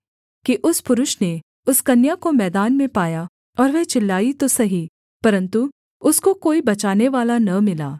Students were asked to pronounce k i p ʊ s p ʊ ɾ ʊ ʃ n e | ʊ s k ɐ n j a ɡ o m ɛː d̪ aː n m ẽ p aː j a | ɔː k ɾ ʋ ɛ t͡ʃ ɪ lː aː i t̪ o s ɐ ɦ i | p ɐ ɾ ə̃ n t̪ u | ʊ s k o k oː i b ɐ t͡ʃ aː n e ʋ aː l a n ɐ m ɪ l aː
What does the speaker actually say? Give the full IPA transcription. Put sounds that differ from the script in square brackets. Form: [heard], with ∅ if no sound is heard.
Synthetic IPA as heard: k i [ʔ] ʊ s p ʊ ɾ ʊ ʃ n e | ʊ s k ɐ n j a [k] o m ɛː d̪ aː n m ẽ p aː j a | ɔː [∅] ɾ ʋ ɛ t͡ʃ ɪ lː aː i t̪ o s ɐ ɦ i | p ɐ ɾ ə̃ n t̪ u | ʊ s k o k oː i b ɐ t͡ʃ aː n e ʋ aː l a n ɐ m ɪ l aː